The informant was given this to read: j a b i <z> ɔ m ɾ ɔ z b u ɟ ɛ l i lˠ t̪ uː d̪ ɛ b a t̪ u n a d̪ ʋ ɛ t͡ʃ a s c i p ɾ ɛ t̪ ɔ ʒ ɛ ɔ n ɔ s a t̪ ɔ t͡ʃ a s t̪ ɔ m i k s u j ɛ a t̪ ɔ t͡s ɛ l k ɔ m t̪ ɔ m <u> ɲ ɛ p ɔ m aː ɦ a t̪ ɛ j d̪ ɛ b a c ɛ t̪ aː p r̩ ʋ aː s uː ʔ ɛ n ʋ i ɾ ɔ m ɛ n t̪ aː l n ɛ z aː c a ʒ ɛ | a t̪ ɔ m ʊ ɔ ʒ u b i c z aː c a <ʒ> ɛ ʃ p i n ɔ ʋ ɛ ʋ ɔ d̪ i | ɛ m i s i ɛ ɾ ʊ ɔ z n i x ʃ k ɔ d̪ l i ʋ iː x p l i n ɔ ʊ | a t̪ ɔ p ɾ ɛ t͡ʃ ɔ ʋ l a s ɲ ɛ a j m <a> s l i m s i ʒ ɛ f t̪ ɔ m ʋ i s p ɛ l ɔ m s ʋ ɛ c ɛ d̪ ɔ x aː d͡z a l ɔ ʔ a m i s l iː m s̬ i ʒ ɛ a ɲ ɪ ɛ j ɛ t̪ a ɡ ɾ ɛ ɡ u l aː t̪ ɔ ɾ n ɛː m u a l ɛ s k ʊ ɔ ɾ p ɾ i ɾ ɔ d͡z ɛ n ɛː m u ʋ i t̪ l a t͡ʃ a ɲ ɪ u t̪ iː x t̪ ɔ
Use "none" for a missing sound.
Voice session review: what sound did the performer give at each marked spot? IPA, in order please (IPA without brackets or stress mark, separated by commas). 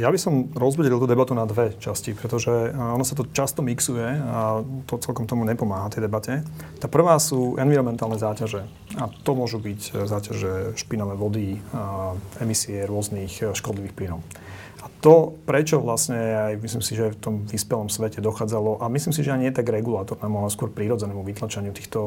s, u, ʒ, i